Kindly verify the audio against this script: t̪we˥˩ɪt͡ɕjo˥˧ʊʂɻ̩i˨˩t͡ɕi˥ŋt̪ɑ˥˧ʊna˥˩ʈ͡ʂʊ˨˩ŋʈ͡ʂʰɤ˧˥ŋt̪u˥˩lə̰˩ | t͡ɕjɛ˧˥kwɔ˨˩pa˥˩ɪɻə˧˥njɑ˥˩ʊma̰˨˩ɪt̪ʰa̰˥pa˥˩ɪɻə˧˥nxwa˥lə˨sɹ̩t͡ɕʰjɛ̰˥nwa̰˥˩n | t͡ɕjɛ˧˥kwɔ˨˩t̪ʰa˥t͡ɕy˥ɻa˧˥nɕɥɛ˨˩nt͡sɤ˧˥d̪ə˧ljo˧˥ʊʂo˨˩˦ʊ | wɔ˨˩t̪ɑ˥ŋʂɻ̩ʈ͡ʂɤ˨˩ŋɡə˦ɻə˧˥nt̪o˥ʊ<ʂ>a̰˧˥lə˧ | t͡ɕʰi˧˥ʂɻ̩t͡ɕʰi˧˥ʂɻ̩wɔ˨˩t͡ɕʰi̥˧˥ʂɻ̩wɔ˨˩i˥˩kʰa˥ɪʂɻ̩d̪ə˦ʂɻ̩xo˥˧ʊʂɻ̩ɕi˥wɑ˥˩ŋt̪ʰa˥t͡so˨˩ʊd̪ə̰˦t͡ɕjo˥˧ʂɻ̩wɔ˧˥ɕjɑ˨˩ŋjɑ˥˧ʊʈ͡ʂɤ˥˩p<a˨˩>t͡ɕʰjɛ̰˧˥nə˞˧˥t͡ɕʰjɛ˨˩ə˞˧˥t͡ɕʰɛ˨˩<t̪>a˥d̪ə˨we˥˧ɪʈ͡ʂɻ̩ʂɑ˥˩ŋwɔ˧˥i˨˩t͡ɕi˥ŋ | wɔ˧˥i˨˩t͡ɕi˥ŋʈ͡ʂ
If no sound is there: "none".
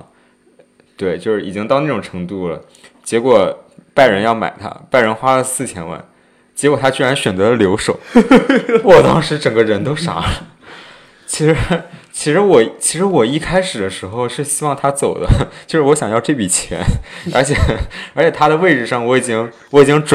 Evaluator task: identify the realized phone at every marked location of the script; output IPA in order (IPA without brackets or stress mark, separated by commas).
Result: ʂ, i˨˩, t̪ʰ